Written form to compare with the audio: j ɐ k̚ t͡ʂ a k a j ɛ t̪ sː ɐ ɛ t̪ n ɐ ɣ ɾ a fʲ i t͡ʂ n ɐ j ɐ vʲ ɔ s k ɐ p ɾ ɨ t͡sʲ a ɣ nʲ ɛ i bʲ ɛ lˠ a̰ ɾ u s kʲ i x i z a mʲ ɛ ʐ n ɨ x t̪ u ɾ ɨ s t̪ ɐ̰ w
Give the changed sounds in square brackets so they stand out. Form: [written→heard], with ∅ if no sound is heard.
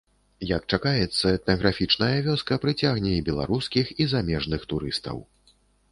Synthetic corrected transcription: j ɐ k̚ t͡ʂ a k a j ɛ t̪ sː ɐ ɛ t̪ n ɐ ɣ ɾ a fʲ i t͡ʂ n ɐ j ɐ vʲ ɔ s k ɐ p ɾ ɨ t͡sʲ a ɣ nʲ ɛ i bʲ ɛ lˠ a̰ ɾ u s kʲ i x i z a mʲ ɛ ʐ n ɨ x t̪ u ɾ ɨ s t̪ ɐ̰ w